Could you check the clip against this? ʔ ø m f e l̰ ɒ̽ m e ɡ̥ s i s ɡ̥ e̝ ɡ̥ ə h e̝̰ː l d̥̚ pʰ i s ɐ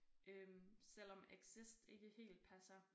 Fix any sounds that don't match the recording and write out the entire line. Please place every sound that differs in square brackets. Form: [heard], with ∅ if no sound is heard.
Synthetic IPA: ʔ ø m [s] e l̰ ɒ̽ m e ɡ̥ s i s [d̥] e̝ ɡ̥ ə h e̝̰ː l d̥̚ pʰ [æ] s ɐ

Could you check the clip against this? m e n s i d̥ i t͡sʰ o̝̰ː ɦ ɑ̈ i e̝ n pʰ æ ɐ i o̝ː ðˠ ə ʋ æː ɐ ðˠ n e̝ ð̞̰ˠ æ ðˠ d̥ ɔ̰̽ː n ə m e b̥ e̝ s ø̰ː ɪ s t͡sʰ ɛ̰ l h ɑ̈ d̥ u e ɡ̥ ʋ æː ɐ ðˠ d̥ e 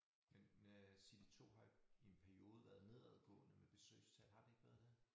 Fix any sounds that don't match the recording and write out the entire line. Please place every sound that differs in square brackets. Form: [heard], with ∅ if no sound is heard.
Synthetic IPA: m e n s i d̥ i t͡sʰ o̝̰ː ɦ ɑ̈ i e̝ n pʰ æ ɐ i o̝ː ðˠ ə ʋ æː ɐ ðˠ n e̝ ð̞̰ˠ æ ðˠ [ɡ̥] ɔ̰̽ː n ə m e b̥ e̝ s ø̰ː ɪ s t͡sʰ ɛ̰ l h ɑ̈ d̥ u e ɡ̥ ʋ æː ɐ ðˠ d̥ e

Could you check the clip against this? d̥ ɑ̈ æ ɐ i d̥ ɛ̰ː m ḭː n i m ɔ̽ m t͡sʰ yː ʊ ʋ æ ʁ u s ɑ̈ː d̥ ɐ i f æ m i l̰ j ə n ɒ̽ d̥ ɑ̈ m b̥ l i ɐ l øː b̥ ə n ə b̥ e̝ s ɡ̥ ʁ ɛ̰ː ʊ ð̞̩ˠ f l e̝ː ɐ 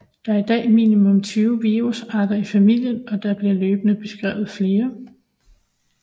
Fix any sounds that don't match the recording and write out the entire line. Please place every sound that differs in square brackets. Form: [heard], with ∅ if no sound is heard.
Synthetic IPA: d̥ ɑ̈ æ ɐ i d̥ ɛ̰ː m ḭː n i m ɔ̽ m t͡sʰ yː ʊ ʋ [i] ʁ u s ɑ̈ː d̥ ɐ i f æ m i l̰ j ə n ɒ̽ d̥ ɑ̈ [∅] b̥ l i ɐ l øː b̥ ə n ə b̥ e̝ s ɡ̥ ʁ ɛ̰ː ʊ ð̞̩ˠ f l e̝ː ɐ

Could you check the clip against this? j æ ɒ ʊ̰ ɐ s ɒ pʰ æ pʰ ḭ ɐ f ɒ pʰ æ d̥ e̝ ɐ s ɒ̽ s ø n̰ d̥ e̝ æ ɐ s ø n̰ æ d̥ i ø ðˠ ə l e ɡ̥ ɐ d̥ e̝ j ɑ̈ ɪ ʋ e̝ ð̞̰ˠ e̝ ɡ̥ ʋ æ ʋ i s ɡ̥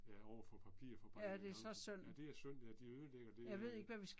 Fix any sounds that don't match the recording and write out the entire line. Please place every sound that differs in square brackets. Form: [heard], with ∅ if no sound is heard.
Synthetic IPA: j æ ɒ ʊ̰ ɐ [f] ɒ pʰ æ pʰ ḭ ɐ f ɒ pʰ æ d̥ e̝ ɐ s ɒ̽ s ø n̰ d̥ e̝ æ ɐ s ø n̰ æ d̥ i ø ðˠ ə l e ɡ̥ ɐ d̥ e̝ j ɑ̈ ɪ ʋ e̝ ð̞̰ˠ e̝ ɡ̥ ʋ æ ʋ i s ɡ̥

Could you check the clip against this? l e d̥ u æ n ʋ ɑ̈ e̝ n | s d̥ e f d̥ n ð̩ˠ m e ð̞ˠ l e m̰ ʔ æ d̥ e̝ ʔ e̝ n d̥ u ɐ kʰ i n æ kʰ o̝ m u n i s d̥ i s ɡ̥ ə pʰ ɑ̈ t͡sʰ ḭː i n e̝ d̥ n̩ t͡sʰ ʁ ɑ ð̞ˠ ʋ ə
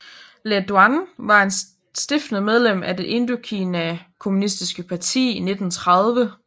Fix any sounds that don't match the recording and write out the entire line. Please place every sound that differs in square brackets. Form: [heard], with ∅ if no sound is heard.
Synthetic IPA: l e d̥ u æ n ʋ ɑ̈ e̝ n | s d̥ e f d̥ n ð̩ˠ m e ð̞ˠ l e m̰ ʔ æ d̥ e̝ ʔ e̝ n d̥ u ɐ kʰ i n æ kʰ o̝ m u n i s d̥ i s ɡ̥ ə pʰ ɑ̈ t͡sʰ ḭː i n e̝ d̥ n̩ t͡sʰ ʁ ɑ ð̞ˠ ʋ ə

